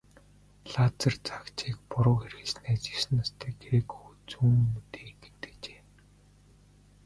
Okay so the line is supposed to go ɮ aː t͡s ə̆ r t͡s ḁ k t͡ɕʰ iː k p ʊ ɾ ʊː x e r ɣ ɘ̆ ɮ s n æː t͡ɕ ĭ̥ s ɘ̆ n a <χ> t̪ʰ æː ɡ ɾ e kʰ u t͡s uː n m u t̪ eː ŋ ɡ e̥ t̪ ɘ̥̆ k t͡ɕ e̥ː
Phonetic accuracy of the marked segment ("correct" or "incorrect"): incorrect